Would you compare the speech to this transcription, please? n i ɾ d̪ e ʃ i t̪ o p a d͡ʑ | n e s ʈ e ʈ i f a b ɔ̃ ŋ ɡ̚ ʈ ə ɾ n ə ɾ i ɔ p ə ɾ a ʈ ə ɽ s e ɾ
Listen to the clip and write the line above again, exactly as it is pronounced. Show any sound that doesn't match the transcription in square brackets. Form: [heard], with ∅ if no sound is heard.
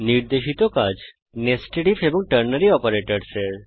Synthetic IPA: n i ɾ d̪ e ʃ i t̪ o [k] a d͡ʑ | n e s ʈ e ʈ i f [e] b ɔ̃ ŋ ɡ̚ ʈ ə ɾ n ə ɾ i ɔ p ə ɾ [e] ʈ ə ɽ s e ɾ